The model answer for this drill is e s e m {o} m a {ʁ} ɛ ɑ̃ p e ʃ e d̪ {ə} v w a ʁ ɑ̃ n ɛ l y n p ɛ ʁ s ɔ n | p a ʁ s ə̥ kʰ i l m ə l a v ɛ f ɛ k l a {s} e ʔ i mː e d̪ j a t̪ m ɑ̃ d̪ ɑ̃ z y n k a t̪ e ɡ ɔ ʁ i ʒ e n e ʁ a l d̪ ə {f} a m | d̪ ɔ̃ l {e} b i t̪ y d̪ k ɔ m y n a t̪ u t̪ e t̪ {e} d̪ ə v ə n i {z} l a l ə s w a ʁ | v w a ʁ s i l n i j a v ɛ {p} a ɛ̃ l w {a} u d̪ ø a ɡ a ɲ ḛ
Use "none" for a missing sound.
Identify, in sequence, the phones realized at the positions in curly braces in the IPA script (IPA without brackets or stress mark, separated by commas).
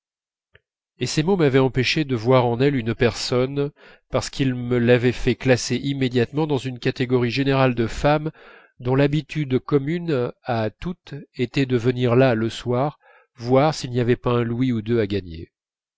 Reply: o, v, ə, s, f, a, ɛ, ʁ, p, i